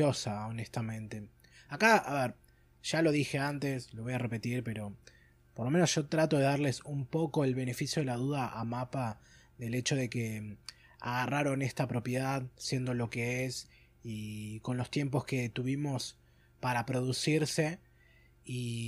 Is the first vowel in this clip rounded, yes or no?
yes